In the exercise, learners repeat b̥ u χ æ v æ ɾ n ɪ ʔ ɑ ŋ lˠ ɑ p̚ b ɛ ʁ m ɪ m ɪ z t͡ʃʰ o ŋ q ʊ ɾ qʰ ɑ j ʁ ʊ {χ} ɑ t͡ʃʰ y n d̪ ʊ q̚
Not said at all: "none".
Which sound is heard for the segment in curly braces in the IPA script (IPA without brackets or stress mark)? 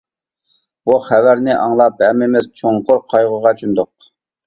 ʁ